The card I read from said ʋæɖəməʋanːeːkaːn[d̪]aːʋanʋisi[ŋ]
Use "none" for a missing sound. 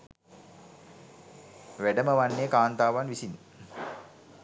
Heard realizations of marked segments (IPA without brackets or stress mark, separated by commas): t̪, n